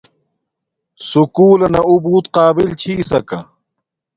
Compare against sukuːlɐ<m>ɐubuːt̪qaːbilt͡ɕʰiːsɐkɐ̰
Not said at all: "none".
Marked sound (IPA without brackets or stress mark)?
n